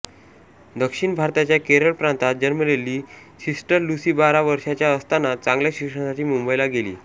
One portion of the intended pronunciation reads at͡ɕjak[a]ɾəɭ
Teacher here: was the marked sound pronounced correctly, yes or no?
no